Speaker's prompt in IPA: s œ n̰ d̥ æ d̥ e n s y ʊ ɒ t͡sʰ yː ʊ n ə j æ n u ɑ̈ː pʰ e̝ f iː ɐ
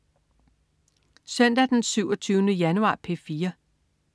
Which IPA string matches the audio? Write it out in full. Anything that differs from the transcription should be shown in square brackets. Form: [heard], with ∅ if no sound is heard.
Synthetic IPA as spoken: s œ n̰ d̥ æ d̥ e n s y ʊ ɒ t͡sʰ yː ʊ n ə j æ n u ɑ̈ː pʰ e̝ f iː ɐ